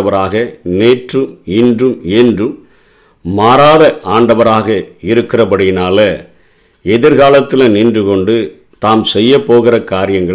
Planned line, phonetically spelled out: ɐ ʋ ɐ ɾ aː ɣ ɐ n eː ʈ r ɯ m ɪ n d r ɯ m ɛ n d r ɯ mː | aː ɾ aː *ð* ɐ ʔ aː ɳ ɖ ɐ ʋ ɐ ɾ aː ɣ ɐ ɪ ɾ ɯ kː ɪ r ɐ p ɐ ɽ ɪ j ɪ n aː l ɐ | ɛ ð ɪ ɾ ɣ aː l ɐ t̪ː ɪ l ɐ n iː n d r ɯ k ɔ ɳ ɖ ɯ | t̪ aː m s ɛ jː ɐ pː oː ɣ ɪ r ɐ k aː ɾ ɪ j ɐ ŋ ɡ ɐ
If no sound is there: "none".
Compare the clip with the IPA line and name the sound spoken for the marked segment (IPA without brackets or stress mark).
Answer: ð